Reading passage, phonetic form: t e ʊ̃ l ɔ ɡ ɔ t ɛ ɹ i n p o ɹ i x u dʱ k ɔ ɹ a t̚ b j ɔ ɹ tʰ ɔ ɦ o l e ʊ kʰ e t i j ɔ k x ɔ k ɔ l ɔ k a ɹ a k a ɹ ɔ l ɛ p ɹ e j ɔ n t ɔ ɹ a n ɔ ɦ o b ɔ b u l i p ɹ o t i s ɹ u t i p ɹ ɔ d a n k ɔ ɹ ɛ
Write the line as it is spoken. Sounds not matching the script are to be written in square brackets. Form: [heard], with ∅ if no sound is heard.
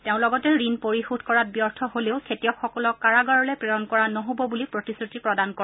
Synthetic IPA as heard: t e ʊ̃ l ɔ ɡ ɔ t ɛ ɹ i n p o ɹ i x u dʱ k ɔ ɹ a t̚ b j ɔ ɹ tʰ ɔ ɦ o l e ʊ kʰ e t i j ɔ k x ɔ k ɔ l ɔ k a ɹ a [ɡ] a ɹ ɔ l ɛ p ɹ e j ɔ n [k] ɔ ɹ a n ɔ ɦ o b ɔ b u l i p ɹ o t i s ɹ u t i p ɹ ɔ d a n k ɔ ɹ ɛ